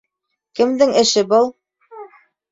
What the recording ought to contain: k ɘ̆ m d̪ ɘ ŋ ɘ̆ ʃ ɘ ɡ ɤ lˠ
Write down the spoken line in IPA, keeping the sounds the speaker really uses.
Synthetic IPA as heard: k ɘ̆ m d̪ ɘ ŋ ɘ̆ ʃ ɘ b ɤ lˠ